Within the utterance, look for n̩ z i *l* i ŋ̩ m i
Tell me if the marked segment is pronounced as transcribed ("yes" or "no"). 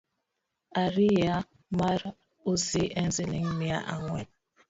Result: yes